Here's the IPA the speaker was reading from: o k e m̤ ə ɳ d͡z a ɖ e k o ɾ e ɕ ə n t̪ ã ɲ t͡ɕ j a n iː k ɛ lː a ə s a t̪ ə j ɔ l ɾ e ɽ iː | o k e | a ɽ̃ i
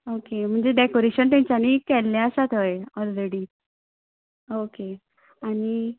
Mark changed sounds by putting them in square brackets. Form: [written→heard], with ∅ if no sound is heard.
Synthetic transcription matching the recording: o k e m̤ ə ɳ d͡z [a→e] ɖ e k o ɾ e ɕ ə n t̪ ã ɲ t͡ɕ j a n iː k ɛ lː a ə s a t̪ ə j ɔ l ɾ e ɽ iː | o k e | a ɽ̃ i

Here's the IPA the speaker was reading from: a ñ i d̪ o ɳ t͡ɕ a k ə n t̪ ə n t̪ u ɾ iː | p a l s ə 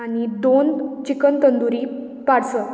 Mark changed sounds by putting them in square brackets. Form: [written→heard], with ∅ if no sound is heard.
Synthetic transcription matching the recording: a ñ i d̪ o [ɳ→n] t͡ɕ [a→i] k ə n t̪ ə n [t̪→d̪] u ɾ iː | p a [l→ɽ] s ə

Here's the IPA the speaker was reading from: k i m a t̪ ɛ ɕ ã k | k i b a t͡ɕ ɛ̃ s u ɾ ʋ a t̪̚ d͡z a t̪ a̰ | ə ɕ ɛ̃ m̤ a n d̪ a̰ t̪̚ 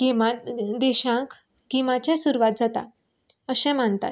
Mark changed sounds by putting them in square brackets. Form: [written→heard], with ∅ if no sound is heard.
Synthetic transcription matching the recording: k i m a [t̪→d̪] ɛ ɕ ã k | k i [b→m] a t͡ɕ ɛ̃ s u ɾ ʋ a t̪̚ d͡z a t̪ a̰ | ə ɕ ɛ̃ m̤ a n [d̪→t̪] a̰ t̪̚

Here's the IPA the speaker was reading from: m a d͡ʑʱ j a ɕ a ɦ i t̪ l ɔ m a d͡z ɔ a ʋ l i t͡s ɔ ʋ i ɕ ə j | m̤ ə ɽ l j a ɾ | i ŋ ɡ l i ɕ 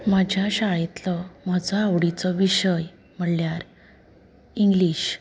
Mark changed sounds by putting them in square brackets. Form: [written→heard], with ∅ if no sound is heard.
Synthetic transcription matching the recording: m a d͡ʑʱ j a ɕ a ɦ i t̪ l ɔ m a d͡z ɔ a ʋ [l→ɽ] i t͡s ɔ ʋ i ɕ ə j | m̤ ə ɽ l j a ɾ | i ŋ ɡ l i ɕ

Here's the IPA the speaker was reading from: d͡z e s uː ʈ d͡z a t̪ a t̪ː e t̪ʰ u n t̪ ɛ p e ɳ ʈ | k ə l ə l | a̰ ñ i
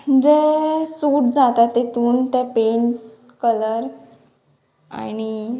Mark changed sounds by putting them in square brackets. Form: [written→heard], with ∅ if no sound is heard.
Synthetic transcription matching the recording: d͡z e s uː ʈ d͡z a t̪ a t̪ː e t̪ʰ [u→uː] n t̪ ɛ p e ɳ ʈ | k ə l ə [l→ɾ] | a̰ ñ i

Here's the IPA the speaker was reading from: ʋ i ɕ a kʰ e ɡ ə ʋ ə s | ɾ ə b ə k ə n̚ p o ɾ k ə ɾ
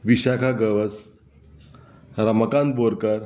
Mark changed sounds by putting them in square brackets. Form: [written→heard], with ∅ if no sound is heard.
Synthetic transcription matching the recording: ʋ i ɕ a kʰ [e→a] ɡ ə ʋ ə s | ɾ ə [b→m] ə k [ə→a] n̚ [p→b] o ɾ k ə ɾ

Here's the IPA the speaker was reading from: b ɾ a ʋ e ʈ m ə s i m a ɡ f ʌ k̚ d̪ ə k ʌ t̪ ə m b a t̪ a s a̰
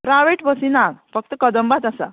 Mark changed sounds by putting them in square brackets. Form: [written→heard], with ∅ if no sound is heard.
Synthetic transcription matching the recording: [b→p] ɾ a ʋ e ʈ [m→b] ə s i [m→n] a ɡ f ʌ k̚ [d̪→t̪] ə k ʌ [t̪→d̪] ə m b a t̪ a s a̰

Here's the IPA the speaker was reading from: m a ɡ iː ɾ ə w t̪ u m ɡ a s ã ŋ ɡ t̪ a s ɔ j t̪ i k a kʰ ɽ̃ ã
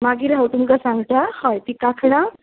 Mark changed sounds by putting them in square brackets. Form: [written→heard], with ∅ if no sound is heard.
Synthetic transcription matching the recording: m a ɡ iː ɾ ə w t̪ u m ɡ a s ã ŋ ɡ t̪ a [s→h] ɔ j t̪ i k a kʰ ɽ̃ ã

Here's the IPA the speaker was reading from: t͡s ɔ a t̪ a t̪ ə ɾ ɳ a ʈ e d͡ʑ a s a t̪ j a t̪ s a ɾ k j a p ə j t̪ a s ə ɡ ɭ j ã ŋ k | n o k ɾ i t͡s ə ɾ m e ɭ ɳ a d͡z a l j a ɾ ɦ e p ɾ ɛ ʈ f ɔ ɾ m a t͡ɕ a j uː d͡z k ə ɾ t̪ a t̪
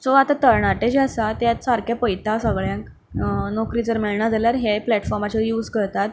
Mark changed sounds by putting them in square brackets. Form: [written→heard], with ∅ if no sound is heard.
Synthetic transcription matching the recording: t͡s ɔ a t̪ a t̪ ə ɾ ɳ a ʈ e d͡ʑ a s a t̪ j a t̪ s a ɾ k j a p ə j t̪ a s ə ɡ ɭ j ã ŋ k | n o k ɾ i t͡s ə ɾ m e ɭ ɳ a d͡z a l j a ɾ ɦ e p [ɾ→l] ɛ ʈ f ɔ ɾ m a t͡ɕ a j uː d͡z k ə ɾ t̪ a t̪

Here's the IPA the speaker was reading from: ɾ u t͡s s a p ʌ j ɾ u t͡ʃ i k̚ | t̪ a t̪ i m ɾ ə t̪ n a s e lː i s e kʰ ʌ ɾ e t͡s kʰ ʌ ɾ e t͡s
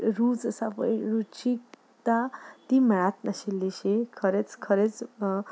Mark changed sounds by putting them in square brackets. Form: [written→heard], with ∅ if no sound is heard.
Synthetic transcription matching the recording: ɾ u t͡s s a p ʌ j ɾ u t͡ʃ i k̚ | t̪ a t̪ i m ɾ [ə→a] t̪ n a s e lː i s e kʰ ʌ ɾ e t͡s kʰ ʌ ɾ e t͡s

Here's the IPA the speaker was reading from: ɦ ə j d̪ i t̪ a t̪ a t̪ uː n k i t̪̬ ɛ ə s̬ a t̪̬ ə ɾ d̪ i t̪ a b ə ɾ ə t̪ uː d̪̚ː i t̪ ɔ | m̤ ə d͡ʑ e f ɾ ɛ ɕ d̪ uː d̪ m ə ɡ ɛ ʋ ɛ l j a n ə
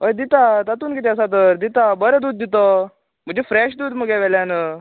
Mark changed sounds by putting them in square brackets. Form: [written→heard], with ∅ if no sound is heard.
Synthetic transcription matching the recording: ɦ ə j d̪ i t̪ a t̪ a t̪ uː n k i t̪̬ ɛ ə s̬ a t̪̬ ə ɾ d̪ i t̪ a b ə ɾ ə [t̪→d̪] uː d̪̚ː i t̪ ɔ | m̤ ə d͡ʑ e f ɾ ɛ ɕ d̪ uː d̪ m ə ɡ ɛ ʋ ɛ l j a n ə

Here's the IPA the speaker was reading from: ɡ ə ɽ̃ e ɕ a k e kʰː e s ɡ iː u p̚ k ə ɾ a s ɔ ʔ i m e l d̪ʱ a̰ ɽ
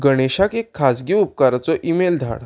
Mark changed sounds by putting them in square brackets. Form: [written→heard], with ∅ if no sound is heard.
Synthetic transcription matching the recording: ɡ ə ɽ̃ e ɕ a k e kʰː [e→a] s ɡ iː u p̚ k [ə→a] ɾ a [s→t͡s] ɔ ʔ i m e l d̪ʱ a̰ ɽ

